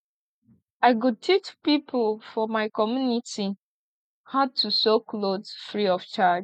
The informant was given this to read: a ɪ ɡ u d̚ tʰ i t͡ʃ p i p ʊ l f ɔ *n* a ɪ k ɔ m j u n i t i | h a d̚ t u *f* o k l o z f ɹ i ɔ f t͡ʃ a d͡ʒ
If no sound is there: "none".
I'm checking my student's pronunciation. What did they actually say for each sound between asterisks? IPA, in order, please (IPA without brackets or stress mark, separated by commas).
m, s